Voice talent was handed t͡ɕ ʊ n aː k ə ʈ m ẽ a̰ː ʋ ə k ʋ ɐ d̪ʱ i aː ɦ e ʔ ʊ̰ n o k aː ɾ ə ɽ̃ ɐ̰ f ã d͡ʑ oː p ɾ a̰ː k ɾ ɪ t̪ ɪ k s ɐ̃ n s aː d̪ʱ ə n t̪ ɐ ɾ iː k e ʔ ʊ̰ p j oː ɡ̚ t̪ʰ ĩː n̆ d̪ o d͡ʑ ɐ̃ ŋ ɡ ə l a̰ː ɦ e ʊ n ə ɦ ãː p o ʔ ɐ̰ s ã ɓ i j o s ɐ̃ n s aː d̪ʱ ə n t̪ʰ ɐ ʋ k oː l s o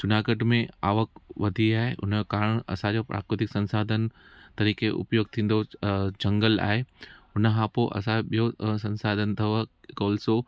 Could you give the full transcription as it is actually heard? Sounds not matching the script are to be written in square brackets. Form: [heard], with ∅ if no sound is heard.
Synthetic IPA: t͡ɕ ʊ n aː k ə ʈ m ẽ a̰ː ʋ ə k ʋ ɐ d̪ʱ i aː ɦ e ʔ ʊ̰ n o k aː ɾ ə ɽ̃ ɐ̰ [s] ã d͡ʑ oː p ɾ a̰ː k ɾ ɪ t̪ ɪ k s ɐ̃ n s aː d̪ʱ ə n t̪ ɐ ɾ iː k e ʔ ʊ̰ p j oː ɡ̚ t̪ʰ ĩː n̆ d̪ o d͡ʑ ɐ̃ ŋ ɡ ə l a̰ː ɦ e ʊ n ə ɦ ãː p o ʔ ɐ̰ s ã ɓ i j o s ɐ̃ n s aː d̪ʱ ə n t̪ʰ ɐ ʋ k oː l s o